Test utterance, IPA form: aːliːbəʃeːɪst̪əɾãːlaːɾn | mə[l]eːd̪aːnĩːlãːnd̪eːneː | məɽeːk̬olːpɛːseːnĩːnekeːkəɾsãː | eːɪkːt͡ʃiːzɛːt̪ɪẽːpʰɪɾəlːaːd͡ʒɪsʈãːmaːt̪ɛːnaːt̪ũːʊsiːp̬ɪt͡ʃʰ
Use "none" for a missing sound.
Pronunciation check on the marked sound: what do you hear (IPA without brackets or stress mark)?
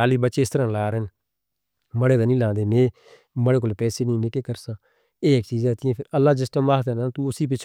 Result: ɽ